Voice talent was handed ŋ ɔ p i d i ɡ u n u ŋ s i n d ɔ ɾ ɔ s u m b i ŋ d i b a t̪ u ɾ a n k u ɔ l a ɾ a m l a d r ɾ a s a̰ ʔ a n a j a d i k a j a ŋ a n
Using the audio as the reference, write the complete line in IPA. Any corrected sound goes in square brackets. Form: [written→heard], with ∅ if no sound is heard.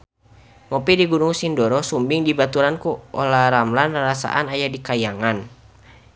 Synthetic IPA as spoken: ŋ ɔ p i d i ɡ u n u ŋ s i n d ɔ ɾ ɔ s u m b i ŋ d i b a t̪ u ɾ a n k u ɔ l a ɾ a m l a [d→n] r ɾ a s a̰ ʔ a n a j a d i k a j a ŋ a n